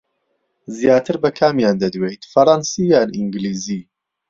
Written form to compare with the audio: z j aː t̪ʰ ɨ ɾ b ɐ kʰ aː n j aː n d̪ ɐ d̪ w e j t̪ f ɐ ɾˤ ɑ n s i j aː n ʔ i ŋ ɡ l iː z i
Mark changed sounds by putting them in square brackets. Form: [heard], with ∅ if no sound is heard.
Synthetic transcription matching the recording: z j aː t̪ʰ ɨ ɾ b ɐ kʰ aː [m] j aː n d̪ ɐ d̪ w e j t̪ f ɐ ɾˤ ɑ n s i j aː n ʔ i ŋ ɡ l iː z i